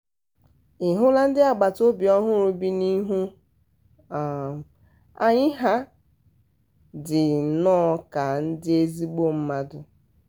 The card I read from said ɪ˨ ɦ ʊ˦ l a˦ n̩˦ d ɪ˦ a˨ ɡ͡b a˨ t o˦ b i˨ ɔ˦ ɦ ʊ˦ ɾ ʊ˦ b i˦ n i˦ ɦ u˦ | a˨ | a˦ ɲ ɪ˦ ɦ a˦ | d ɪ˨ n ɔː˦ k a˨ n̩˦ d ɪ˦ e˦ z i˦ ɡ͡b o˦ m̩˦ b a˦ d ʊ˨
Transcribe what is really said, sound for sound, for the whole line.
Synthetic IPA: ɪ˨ ɦ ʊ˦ l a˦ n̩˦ d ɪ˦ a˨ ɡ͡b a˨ t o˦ b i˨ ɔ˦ ɦ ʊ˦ ɾ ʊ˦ b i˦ n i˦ ɦ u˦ | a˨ | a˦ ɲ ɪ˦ ɦ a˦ | d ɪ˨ n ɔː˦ k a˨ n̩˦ d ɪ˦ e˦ z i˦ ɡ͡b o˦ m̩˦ m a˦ d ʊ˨